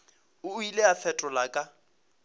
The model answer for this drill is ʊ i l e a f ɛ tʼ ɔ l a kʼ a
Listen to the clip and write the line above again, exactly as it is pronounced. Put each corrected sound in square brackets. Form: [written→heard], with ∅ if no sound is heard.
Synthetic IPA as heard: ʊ i l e a f ɛ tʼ ɔ l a kʼ a